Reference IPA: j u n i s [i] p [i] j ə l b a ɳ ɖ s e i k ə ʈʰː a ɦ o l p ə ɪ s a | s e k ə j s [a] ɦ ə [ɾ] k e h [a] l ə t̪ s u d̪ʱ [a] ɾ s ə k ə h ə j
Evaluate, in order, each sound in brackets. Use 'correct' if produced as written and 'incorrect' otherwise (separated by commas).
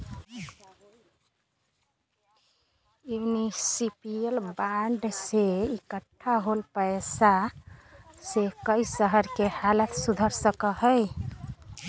correct, correct, incorrect, correct, correct, incorrect